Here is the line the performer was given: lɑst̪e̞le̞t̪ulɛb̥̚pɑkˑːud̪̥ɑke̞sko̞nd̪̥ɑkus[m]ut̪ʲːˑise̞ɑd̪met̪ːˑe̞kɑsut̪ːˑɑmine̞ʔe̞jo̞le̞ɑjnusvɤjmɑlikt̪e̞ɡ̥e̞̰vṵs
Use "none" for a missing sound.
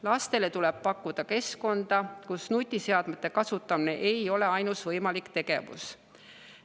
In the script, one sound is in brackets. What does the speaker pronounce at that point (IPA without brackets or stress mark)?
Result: n